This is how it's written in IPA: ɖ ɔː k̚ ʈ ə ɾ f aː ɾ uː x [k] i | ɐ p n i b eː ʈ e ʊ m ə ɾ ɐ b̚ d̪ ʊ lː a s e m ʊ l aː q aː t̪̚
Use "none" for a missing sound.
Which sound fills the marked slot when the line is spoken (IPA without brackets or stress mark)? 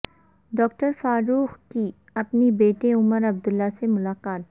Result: k